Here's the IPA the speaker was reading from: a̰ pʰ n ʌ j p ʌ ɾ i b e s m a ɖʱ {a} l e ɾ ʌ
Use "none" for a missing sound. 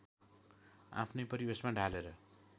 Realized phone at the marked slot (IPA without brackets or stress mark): a